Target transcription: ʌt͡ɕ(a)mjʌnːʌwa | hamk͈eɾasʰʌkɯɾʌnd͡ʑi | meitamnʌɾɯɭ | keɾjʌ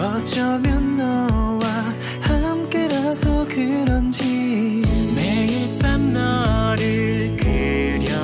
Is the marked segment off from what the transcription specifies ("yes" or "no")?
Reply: yes